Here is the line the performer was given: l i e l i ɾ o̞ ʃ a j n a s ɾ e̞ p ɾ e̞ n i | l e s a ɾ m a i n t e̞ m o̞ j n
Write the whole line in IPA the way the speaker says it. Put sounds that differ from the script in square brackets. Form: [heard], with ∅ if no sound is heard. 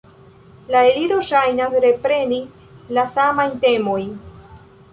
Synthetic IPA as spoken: l [a] e l i ɾ o̞ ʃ a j n a s ɾ e̞ p ɾ e̞ n i | l [a] s a [∅] m a [j] n t e̞ m o̞ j n